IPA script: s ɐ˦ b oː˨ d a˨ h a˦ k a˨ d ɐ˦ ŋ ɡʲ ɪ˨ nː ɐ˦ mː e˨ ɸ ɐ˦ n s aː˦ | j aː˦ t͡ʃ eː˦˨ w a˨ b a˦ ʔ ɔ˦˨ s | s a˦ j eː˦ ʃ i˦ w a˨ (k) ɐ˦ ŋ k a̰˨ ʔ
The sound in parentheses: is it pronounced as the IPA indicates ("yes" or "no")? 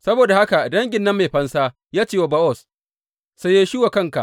yes